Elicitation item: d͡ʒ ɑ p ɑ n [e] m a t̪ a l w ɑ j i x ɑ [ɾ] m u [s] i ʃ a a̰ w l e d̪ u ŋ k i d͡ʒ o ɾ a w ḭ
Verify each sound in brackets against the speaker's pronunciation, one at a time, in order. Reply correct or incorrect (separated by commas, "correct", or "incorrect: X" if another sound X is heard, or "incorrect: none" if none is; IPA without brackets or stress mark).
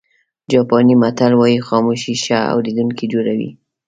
incorrect: i, incorrect: none, incorrect: ʃ